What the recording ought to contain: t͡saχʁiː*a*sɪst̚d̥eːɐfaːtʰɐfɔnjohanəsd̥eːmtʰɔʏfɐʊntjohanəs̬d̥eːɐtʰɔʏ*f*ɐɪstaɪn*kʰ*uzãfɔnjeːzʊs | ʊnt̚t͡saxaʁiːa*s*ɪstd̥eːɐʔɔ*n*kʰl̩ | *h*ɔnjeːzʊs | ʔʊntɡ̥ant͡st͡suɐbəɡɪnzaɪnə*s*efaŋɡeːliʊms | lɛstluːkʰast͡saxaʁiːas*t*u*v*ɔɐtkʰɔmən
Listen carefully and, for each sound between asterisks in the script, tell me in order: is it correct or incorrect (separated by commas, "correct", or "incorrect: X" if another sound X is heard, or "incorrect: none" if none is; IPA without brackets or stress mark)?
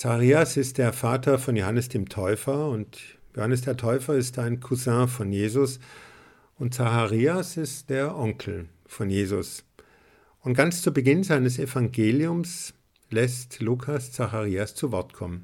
correct, correct, correct, correct, incorrect: ŋ, incorrect: f, correct, incorrect: t͡s, correct